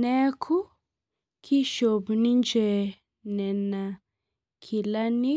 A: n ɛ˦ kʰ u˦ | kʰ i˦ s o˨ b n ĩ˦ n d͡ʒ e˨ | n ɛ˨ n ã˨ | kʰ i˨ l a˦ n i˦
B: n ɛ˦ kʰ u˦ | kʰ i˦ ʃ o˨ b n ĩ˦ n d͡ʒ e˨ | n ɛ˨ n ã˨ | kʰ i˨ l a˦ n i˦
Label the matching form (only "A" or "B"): B